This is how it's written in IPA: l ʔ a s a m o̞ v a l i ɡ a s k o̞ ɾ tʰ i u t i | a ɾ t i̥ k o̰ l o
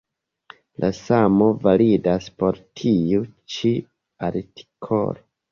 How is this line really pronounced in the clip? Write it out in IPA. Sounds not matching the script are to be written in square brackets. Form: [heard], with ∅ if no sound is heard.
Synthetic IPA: l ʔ a s a m o̞ v a l i [d] a s [p] o̞ ɾ tʰ i u [t͡ʃ] i | a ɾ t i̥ [kʰ] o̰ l o